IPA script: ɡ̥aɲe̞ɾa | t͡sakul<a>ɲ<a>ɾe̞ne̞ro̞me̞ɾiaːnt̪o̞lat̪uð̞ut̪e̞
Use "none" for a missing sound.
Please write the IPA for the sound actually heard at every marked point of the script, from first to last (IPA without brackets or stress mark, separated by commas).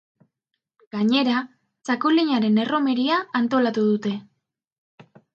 i, a